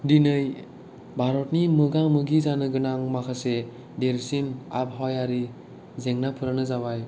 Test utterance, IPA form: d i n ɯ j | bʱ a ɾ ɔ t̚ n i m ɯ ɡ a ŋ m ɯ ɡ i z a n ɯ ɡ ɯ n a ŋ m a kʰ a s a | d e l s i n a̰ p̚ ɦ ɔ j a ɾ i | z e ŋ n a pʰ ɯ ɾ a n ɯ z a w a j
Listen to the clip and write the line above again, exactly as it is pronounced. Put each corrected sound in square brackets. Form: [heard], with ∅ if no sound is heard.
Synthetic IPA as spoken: d i n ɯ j | bʱ a ɾ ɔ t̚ n i m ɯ ɡ a ŋ m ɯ ɡ i z a n ɯ ɡ ɯ n a ŋ m a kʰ a s [e] | d e [ɾ] s i n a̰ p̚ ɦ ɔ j a ɾ i | z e ŋ n a pʰ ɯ ɾ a n ɯ z a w a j